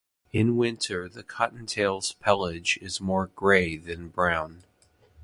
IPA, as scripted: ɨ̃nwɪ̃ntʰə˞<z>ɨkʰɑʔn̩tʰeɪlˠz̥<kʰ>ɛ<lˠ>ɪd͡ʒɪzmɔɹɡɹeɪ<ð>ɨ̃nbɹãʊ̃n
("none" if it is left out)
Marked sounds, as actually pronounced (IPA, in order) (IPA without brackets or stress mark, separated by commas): ð, pʰ, lˠ, ð